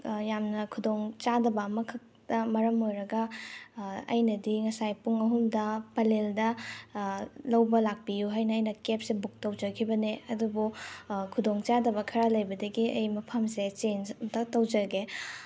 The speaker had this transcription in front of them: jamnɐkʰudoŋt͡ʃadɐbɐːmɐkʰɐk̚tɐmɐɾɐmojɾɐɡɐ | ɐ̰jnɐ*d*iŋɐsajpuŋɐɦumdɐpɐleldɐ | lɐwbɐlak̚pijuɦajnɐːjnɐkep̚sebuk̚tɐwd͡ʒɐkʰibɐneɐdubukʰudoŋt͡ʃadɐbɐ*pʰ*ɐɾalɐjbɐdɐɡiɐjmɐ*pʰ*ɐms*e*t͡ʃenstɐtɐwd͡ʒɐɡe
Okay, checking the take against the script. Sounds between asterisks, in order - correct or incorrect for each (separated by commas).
correct, incorrect, correct, correct